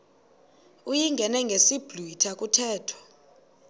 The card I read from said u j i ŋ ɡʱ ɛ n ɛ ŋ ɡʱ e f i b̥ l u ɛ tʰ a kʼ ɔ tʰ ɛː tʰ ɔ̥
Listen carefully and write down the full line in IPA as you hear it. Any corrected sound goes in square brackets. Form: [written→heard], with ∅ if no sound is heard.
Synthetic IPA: u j i ŋ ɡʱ ɛ n ɛ ŋ ɡʱ e [f→s] i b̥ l u [ɛ→i] tʰ a kʼ [ɔ→u] tʰ ɛː tʰ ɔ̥